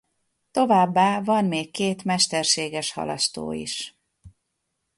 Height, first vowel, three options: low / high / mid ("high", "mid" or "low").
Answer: mid